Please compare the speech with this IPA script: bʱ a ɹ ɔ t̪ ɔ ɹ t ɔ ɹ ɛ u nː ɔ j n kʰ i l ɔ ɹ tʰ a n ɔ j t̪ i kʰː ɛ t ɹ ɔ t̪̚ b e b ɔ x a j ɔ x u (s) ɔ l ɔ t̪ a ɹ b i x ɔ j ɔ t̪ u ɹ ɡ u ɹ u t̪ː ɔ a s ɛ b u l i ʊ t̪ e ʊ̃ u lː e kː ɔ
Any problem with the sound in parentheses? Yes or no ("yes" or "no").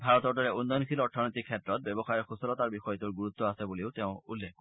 no